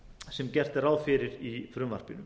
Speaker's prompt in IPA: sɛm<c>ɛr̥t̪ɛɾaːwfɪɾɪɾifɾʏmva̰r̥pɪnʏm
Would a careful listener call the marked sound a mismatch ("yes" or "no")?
no